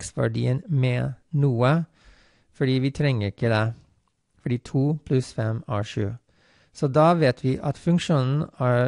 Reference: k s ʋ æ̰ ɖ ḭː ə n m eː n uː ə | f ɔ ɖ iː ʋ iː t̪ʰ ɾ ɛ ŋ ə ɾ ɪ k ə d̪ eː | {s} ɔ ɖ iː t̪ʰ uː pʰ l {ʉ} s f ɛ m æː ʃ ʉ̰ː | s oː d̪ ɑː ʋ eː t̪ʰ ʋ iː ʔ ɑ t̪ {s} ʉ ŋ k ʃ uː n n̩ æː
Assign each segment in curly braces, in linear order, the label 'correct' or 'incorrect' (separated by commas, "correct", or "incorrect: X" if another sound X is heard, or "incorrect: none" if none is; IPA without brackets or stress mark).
incorrect: f, correct, incorrect: f